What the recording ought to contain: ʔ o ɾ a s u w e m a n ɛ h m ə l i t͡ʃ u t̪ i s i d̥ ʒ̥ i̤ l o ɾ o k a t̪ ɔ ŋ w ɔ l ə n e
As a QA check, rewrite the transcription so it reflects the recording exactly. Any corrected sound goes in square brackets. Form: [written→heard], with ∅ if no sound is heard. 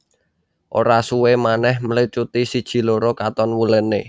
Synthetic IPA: ʔ o ɾ a s u w e m a n ɛ h m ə l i t͡ʃ u t̪ i s i d̥ ʒ̥ i̤ l o ɾ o k a t̪ ɔ [ŋ→n] w [ɔ→u] l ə n e